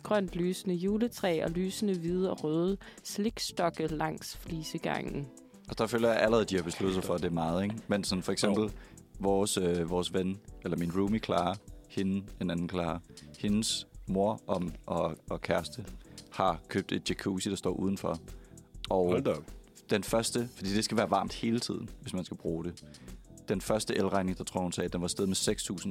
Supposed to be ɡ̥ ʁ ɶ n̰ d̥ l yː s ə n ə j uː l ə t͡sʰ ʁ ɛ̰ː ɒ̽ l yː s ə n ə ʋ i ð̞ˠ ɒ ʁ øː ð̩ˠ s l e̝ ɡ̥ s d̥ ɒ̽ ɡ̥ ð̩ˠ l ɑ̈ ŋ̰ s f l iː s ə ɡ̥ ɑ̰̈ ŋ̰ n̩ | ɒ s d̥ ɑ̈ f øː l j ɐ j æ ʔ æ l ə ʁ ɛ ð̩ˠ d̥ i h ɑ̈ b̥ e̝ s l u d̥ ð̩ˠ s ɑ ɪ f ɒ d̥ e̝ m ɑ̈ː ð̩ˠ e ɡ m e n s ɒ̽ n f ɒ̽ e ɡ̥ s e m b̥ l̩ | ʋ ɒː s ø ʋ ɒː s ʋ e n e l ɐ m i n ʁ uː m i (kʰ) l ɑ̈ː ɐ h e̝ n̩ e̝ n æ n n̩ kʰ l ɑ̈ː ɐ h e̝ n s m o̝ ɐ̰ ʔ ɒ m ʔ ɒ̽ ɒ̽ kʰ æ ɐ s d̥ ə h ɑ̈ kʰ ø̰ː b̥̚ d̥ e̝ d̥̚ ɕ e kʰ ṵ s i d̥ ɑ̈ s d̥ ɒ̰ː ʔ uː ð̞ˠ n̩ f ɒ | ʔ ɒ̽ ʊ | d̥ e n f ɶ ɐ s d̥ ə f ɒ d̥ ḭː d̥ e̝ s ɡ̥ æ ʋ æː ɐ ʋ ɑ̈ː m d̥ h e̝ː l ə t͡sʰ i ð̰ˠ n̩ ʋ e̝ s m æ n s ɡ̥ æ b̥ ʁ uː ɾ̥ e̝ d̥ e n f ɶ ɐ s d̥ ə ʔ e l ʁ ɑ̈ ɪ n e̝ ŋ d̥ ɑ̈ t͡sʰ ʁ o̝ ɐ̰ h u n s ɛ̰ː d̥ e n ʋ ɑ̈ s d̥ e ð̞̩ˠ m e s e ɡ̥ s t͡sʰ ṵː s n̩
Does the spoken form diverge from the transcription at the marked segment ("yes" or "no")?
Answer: no